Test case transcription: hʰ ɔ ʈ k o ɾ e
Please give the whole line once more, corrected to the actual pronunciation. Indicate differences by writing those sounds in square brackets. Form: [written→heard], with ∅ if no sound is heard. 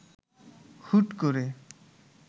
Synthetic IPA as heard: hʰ [ɔ→u] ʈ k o ɾ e